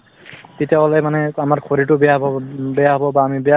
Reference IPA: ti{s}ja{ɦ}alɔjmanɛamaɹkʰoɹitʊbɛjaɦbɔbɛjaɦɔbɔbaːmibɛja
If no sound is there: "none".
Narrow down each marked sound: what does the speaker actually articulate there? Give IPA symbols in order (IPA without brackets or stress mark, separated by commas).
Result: t, none